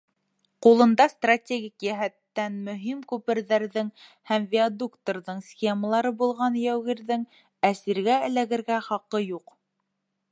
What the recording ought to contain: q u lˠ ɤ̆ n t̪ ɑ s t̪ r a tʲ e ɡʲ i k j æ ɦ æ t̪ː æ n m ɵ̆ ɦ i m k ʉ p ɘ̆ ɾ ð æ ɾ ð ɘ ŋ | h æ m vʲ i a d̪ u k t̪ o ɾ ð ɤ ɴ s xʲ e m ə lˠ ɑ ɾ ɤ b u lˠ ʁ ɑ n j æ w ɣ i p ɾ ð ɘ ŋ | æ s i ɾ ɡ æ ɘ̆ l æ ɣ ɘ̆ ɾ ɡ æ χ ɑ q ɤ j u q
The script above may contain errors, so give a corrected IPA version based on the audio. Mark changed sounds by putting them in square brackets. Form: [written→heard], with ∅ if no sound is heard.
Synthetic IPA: q u lˠ ɤ̆ n [t̪→d̪] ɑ s t̪ r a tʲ e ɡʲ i k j æ ɦ æ t̪ː æ n m ɵ̆ ɦ i m k ʉ p ɘ̆ ɾ ð æ ɾ ð ɘ ŋ | h æ m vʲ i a d̪ u k t̪ o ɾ ð ɤ ɴ s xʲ e m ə lˠ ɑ ɾ ɤ b u lˠ ʁ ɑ n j æ w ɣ i [p→∅] ɾ ð ɘ ŋ | æ s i ɾ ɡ æ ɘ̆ l æ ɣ ɘ̆ ɾ ɡ æ χ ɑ q ɤ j u q